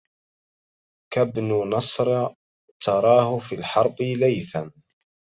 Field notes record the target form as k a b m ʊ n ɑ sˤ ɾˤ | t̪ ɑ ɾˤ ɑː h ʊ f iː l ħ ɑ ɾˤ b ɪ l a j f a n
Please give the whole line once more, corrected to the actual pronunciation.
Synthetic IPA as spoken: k a b n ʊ n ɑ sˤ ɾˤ | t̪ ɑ ɾˤ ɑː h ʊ f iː l ħ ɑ ɾˤ b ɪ l a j θ a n